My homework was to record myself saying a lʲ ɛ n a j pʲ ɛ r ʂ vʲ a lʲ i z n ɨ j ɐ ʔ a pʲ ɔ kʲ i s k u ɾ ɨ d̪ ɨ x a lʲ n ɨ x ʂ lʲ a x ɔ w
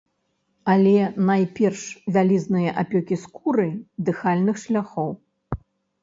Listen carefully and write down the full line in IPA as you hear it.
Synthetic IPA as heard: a lʲ ɛ n a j pʲ ɛ r ʂ vʲ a lʲ i z n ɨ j ɐ ʔ a pʲ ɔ kʲ i s k u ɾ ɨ d̪ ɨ x a lʲ n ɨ x ʂ lʲ a x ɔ w